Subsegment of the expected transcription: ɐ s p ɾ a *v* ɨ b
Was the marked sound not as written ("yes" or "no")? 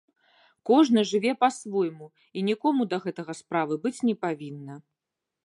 no